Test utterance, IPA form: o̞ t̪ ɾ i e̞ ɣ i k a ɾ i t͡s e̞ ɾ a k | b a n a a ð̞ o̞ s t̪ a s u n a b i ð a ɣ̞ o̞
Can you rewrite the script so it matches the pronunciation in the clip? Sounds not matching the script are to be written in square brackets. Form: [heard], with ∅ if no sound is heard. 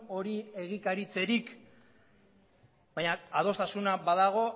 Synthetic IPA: o̞ [∅] ɾ i e̞ ɣ i k a ɾ i t͡s e̞ ɾ [i] k | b a [ɲ] a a ð̞ o̞ s t̪ a s u n a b [a] ð a ɣ̞ o̞